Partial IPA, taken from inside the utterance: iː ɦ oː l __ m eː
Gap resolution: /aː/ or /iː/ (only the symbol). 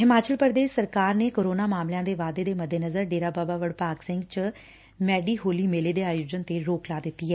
iː